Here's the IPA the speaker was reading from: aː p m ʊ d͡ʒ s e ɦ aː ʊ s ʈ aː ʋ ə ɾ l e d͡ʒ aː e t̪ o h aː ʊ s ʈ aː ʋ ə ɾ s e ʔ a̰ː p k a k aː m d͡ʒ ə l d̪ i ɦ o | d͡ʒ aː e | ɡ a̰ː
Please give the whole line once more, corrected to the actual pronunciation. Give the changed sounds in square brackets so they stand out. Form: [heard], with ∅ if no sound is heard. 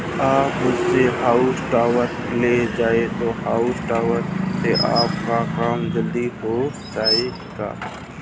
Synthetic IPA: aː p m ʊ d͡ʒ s e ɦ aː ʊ s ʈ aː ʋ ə ɾ l e d͡ʒ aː e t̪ o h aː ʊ s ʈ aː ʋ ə ɾ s e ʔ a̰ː p k a k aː m d͡ʒ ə l d̪ i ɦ o | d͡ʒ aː e | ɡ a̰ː